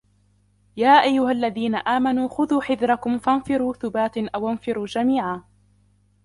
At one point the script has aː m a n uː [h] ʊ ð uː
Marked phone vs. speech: incorrect: x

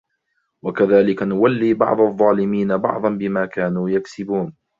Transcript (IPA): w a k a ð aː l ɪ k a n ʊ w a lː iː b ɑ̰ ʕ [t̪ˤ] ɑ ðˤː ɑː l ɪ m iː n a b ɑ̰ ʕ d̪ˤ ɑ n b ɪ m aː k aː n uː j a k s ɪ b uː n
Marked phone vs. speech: incorrect: d̪ˤ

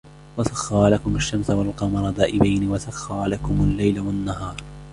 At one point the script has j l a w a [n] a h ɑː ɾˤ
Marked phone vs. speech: incorrect: nː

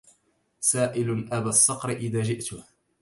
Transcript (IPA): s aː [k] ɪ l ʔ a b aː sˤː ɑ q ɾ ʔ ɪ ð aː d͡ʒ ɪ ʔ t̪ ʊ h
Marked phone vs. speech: incorrect: ʔ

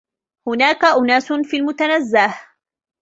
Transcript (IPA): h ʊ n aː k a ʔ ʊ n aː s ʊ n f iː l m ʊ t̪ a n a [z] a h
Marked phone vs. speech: incorrect: zː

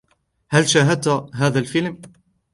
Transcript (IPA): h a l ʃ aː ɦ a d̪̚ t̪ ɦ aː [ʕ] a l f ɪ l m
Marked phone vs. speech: incorrect: ð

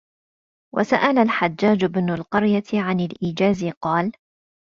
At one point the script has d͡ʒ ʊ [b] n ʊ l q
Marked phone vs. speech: correct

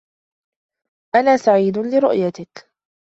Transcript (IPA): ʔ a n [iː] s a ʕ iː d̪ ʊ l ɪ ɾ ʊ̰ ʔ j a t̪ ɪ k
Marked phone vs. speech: incorrect: aː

